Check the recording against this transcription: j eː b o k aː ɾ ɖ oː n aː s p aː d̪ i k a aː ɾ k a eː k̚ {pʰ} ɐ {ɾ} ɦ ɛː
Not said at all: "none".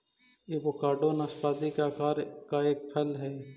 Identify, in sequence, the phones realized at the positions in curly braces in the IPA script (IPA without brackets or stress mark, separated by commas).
pʰ, l